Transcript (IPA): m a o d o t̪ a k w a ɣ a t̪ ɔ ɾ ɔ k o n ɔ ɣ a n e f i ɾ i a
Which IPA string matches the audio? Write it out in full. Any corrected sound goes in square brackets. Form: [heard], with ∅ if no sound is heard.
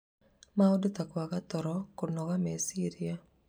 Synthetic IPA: m a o d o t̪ a k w a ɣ a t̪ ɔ ɾ ɔ k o n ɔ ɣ a [m] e [s] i ɾ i a